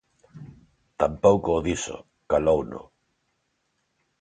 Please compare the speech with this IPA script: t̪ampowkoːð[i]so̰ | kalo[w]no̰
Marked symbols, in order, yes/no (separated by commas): yes, yes